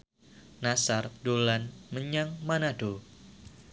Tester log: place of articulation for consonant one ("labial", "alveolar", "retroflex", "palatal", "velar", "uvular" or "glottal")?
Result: alveolar